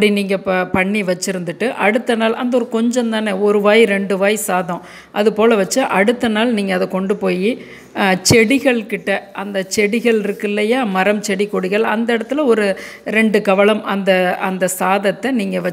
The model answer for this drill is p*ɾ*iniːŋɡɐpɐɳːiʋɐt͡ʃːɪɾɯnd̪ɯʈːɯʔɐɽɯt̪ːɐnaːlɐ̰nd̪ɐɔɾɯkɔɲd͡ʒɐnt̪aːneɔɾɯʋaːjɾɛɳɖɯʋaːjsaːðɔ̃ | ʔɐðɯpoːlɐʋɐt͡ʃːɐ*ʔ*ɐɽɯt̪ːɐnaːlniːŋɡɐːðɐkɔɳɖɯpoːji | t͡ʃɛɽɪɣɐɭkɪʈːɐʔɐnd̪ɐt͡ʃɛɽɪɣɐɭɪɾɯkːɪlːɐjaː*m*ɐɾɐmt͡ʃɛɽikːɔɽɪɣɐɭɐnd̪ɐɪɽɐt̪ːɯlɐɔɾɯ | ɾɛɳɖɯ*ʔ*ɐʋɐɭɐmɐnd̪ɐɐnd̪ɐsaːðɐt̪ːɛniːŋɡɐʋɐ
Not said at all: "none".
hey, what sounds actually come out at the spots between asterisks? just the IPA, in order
ɽ, ʔ, m, k

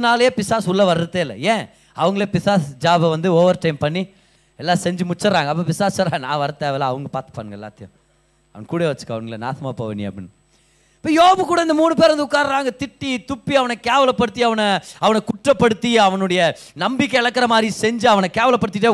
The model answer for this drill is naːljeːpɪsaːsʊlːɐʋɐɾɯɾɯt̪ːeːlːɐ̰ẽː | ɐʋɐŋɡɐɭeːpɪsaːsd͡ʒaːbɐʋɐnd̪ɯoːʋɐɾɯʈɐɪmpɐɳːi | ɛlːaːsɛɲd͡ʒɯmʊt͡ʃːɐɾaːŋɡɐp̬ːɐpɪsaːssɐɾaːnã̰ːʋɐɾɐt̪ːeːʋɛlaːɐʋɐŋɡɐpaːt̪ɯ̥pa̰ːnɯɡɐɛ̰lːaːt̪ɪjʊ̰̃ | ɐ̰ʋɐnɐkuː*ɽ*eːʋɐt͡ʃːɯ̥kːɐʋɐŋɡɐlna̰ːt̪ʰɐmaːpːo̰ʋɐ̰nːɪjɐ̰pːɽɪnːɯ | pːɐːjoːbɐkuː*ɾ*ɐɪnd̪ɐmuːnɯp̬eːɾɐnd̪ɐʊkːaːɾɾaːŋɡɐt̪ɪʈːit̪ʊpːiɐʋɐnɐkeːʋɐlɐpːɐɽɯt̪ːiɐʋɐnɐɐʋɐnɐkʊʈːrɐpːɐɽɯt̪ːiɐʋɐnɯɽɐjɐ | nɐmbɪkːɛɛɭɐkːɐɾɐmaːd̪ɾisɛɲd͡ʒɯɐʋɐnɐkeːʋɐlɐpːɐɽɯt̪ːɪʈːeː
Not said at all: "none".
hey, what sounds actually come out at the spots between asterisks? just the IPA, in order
ɽ, ɽ

